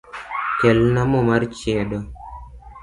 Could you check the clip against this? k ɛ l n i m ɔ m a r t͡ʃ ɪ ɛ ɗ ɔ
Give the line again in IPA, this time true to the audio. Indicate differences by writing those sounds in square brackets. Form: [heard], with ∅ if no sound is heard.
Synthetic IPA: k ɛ l n [a] m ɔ m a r t͡ʃ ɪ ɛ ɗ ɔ